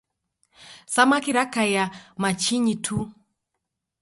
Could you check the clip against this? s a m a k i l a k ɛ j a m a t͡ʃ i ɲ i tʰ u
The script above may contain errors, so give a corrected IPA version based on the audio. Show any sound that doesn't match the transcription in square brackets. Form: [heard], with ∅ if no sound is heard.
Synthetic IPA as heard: s a m a k i [ɾ] a k [a] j a m a t͡ʃ i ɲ i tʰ u